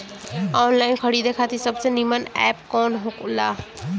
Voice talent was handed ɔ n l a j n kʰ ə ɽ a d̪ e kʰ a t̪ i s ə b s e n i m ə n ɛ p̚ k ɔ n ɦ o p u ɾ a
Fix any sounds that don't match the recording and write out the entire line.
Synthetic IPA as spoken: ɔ n l a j n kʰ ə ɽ i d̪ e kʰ a t̪ i s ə b s e n i m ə n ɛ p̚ k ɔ n ɦ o k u l a